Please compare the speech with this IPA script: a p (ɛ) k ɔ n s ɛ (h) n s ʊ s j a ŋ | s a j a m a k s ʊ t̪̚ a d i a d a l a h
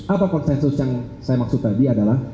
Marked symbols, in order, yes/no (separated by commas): no, no